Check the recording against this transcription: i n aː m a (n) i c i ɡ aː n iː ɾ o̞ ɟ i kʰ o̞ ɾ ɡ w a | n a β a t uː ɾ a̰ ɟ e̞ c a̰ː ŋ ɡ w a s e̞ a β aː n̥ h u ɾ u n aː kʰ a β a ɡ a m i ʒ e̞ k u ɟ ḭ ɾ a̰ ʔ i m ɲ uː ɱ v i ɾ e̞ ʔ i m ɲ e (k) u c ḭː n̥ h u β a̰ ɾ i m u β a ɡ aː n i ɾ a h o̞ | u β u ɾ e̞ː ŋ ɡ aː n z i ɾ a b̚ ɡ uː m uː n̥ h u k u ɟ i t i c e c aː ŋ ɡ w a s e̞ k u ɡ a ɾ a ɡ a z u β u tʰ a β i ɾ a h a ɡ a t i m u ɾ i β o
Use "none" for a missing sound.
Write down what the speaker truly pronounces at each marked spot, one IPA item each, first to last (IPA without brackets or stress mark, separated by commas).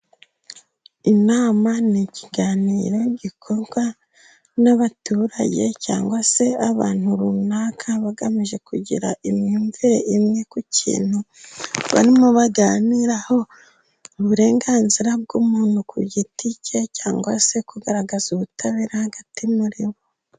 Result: n, k